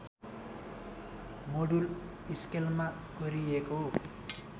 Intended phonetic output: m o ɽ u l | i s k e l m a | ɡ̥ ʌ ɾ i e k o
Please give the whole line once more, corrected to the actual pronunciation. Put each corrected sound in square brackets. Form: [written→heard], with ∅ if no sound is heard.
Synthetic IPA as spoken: m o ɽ u l | i s k e l m a | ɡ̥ ʌ ɾ i e k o